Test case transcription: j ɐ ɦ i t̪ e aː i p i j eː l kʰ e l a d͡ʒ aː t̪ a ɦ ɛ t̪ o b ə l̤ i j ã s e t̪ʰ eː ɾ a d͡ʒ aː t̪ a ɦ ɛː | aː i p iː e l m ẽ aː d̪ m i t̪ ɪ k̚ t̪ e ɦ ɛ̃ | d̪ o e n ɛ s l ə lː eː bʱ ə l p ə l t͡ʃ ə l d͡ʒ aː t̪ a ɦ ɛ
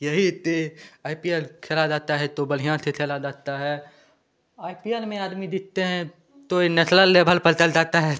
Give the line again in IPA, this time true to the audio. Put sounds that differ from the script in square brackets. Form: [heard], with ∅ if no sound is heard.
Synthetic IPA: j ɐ ɦ i t̪ e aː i p i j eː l kʰ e l a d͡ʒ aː t̪ a ɦ ɛ t̪ o b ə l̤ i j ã s e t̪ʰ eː [l] a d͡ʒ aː t̪ a ɦ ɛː | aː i p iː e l m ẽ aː d̪ m i [d̪] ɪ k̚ t̪ e ɦ ɛ̃ | [t̪] o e n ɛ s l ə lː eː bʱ ə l p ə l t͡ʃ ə l d͡ʒ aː t̪ a ɦ ɛ